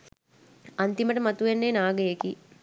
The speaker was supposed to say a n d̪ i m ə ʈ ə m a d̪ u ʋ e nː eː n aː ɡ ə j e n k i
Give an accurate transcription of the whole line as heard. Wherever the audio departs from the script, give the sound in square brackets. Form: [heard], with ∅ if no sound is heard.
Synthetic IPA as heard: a n [t̪] i m ə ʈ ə m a [t̪] u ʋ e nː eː n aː ɡ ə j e [∅] k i